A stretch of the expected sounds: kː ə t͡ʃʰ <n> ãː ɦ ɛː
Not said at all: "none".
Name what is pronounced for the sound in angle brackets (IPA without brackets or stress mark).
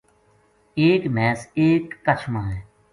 m